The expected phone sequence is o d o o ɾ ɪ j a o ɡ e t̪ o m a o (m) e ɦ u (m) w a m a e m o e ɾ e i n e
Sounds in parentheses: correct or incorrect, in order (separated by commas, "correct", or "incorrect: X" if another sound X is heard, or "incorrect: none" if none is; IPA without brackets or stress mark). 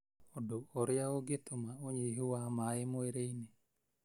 incorrect: ɲ, incorrect: none